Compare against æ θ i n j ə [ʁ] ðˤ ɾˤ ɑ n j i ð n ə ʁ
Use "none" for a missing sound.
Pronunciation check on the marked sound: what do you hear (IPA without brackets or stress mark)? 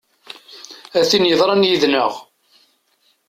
none